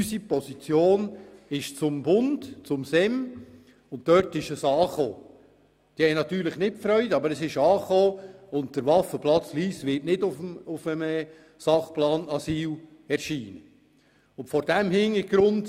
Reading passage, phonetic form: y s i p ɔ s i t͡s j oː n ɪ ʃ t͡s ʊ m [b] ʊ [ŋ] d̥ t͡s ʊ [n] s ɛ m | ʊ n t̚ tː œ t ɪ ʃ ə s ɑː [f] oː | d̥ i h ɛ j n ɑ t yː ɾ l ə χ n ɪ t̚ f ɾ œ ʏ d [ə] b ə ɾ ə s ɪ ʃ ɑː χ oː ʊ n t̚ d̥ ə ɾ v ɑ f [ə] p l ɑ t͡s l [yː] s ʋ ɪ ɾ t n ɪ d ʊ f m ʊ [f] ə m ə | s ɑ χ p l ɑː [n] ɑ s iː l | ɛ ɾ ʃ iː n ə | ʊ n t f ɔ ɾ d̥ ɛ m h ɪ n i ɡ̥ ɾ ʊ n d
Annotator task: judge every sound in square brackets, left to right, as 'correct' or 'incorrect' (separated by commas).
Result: correct, incorrect, incorrect, incorrect, incorrect, correct, incorrect, correct, correct